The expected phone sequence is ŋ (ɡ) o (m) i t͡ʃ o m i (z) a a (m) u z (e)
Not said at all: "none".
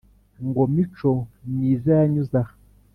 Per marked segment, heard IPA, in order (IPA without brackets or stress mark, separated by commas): ɡ, m, z, ɲ, a